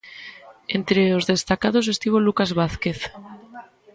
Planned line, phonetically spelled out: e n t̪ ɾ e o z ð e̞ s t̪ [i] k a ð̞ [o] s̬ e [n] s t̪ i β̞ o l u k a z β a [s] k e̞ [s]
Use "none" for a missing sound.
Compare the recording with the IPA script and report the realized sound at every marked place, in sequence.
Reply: a, o, none, θ, θ

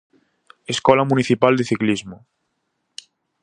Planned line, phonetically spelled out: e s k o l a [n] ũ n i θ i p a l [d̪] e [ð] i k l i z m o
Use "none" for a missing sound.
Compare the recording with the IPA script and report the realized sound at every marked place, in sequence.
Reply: m, d̪, θ

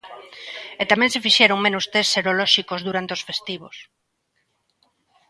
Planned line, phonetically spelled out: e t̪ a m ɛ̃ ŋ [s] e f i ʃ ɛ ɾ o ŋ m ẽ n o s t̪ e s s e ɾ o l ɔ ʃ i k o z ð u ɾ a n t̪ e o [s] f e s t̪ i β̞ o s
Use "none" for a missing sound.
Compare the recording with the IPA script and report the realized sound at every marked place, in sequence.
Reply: s, s

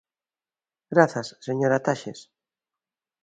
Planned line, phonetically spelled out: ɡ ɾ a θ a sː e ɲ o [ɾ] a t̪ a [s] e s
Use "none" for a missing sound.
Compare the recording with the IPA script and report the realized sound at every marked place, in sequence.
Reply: ɾ, ʃ

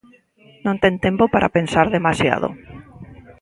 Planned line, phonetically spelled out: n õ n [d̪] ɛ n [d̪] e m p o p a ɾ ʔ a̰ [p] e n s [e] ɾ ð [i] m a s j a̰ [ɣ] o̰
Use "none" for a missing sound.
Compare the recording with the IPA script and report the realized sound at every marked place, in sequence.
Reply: t̪, t̪, p, a, e, ð

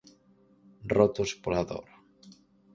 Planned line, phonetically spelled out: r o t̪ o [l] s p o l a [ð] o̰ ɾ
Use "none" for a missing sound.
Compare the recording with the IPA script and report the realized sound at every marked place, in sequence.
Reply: none, ð

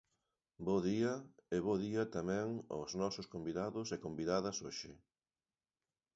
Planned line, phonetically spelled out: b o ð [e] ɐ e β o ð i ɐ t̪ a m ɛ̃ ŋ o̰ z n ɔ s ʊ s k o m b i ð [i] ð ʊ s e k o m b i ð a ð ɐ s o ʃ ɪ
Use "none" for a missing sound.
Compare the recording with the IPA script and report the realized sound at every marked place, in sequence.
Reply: i, a

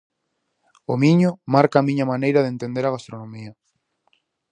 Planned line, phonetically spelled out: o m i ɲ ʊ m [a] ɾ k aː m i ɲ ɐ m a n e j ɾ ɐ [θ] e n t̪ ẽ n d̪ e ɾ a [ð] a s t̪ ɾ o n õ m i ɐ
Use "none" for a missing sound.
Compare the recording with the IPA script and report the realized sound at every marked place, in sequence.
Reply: a, ð, ɣ

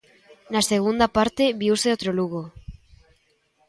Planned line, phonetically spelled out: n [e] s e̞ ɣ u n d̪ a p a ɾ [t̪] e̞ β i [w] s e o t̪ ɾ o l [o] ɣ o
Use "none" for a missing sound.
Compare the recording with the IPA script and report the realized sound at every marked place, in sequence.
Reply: a, t̪, u, u

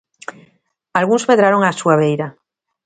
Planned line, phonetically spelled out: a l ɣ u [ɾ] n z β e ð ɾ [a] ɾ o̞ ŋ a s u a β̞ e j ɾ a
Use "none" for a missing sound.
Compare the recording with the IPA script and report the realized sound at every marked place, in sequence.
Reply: none, a

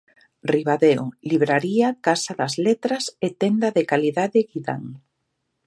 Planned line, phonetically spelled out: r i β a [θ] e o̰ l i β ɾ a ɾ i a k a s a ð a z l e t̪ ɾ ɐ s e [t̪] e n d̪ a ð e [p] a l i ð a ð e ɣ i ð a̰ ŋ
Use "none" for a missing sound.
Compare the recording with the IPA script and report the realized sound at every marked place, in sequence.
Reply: ð, t̪, k

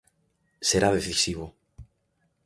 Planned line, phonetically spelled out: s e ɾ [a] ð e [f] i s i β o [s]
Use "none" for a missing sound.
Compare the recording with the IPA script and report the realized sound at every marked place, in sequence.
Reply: a, θ, none

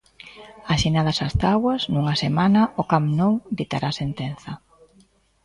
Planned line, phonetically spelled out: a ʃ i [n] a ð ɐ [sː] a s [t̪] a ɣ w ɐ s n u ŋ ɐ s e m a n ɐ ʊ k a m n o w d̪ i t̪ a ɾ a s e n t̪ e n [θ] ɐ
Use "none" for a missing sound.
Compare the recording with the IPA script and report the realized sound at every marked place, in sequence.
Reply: n, s, t̪, θ

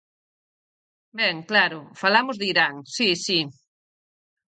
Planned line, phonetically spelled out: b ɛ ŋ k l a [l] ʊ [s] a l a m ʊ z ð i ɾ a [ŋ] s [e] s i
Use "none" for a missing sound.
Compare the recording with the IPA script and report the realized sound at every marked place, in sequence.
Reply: ɾ, f, ŋ, i

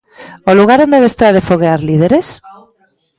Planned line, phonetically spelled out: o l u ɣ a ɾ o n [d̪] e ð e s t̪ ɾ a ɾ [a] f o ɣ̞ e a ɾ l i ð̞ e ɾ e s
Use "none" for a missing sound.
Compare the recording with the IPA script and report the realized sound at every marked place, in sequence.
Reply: d̪, e

